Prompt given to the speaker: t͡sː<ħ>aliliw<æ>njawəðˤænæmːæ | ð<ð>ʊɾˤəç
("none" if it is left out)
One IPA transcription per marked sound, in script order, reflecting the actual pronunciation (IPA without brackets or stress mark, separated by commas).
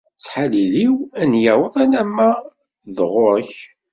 ħ, æ, ʁ